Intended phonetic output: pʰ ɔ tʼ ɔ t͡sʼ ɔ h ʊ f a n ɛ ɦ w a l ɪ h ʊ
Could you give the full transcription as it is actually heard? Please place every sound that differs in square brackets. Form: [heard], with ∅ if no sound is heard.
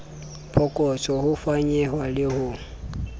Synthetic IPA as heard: pʰ ɔ [kʼ] ɔ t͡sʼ ɔ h ʊ f a [ɲ] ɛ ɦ w a l ɪ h ʊ